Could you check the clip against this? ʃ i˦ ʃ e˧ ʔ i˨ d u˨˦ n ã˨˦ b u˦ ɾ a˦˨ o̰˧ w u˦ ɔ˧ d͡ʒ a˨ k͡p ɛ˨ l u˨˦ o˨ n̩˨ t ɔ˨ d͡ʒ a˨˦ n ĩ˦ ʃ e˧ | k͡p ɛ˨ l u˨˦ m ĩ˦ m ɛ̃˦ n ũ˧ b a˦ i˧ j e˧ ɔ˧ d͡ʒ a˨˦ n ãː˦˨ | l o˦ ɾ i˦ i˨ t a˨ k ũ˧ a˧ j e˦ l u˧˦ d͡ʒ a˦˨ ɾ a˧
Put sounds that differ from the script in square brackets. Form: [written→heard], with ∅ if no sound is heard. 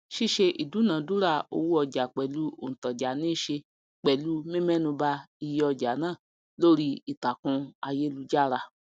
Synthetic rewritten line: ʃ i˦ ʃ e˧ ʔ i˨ d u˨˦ n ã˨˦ [b→d] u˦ ɾ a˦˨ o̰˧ w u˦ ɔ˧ d͡ʒ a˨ k͡p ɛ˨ l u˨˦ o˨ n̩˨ t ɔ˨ d͡ʒ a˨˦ n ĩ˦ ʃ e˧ | k͡p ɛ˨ l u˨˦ m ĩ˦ m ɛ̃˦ n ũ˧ b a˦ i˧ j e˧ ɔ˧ d͡ʒ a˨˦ n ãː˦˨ | l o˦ ɾ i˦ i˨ t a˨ k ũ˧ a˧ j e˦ l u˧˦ d͡ʒ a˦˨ ɾ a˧